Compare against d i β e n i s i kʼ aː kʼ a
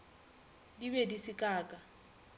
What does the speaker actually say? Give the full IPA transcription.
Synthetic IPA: d i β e d i s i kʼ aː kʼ a